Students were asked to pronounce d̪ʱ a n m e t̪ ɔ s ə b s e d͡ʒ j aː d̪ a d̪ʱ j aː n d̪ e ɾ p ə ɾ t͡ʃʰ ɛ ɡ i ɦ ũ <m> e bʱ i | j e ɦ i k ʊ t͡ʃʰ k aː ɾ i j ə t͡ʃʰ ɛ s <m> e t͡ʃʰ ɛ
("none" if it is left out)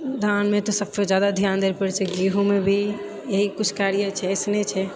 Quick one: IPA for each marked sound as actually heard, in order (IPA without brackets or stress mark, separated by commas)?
m, n